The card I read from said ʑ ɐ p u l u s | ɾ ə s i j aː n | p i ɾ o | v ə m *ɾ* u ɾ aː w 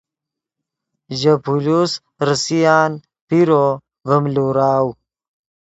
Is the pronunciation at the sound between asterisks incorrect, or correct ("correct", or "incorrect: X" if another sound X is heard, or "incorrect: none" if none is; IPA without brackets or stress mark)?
incorrect: l